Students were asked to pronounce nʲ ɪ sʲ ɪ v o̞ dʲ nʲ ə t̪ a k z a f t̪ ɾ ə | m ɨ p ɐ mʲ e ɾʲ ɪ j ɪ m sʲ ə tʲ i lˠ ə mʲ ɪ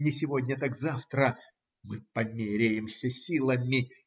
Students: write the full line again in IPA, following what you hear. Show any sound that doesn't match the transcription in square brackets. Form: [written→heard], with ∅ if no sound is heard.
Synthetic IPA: nʲ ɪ sʲ ɪ v o̞ dʲ nʲ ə t̪ a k z a f t̪ ɾ ə | m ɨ p ɐ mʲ e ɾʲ ɪ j ɪ m sʲ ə [tʲ→sʲ] i lˠ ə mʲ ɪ